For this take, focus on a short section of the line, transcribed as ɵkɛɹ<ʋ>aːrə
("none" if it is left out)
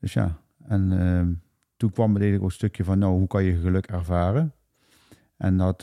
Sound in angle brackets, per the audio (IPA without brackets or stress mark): v